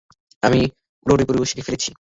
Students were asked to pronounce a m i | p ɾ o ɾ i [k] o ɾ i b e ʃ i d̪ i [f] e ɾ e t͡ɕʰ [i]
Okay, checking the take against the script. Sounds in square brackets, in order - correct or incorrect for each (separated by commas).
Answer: incorrect, correct, correct